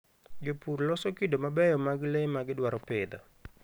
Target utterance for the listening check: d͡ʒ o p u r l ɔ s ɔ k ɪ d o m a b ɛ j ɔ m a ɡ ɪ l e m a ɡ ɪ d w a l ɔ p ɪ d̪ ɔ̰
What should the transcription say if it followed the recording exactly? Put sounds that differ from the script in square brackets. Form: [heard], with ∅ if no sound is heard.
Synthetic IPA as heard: d͡ʒ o p u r l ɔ s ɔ k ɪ d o m a b ɛ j ɔ m a ɡ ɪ l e m a ɡ ɪ d w a [ɾ] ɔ p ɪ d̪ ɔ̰